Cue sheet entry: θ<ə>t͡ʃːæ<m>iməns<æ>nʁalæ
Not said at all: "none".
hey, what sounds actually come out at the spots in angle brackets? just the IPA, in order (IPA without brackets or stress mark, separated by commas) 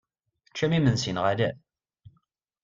ə, m, i